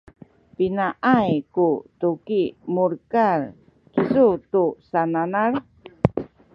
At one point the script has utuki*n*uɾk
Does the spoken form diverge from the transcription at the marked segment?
yes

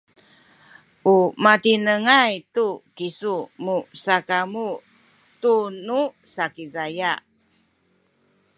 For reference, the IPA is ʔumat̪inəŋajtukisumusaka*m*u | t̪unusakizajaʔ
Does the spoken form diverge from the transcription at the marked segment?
no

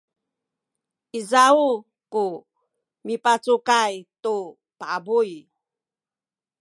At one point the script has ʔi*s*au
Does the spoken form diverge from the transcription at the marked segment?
yes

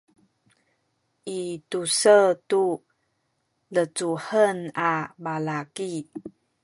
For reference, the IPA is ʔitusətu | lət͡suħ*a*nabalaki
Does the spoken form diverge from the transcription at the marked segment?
yes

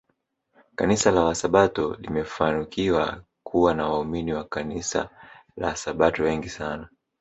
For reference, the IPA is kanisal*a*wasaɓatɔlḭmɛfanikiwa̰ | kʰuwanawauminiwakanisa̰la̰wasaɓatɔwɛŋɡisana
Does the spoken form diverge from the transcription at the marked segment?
no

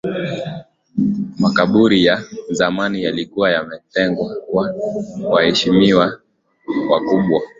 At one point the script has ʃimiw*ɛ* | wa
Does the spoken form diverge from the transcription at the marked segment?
yes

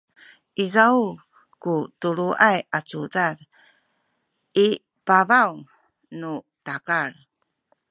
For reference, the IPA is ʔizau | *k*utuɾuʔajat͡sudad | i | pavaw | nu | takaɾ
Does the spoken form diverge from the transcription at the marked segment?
no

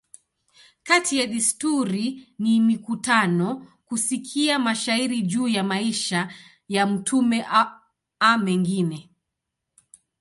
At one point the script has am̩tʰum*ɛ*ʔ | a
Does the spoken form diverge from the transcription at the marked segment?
no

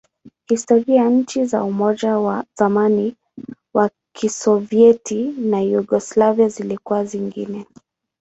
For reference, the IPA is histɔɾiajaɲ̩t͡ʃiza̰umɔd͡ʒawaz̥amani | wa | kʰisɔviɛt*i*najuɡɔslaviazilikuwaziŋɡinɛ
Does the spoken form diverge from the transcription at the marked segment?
no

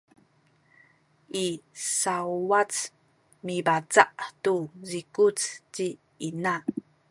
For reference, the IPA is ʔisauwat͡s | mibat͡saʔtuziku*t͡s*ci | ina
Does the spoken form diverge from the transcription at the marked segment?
no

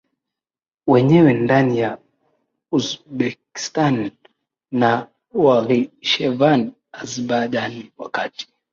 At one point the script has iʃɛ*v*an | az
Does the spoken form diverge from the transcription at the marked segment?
no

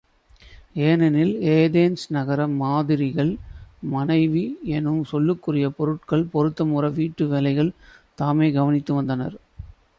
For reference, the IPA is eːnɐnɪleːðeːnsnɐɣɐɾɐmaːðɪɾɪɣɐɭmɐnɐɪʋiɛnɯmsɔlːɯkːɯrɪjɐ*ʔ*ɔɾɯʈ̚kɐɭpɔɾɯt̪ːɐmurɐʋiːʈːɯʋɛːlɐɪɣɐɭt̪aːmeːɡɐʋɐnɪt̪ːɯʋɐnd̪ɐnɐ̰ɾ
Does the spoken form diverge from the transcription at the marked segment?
yes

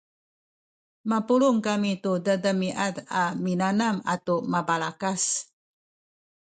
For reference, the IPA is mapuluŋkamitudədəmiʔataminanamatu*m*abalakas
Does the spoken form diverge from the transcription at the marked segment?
no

